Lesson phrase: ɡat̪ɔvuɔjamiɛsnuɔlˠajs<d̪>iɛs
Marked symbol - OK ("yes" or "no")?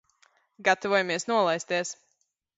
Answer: no